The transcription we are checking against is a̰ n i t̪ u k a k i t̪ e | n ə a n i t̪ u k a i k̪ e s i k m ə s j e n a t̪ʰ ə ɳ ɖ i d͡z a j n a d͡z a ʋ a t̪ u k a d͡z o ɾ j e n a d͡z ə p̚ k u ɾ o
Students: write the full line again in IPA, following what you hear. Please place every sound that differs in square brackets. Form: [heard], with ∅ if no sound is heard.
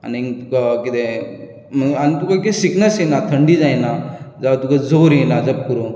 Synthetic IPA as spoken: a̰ n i t̪ u k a k i t̪ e | [m] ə a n i t̪ u k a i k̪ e s i k [n] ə s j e n a t̪ʰ ə ɳ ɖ i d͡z a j n a d͡z a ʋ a t̪ u k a d͡z o ɾ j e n a d͡z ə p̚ k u ɾ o